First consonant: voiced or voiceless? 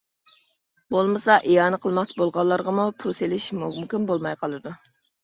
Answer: voiced